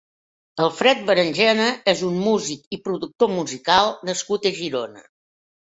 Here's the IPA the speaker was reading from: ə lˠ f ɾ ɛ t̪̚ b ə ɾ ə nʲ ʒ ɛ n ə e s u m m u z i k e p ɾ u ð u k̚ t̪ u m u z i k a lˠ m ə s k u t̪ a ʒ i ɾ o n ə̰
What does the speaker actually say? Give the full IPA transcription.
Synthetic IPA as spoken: ə lˠ f ɾ ɛ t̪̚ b ə ɾ ə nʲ ʒ ɛ n ə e z u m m u z i k i p ɾ u ð u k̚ t̪ o m u z i k a lˠ n ə s k u t̪ ə ʒ i ɾ o n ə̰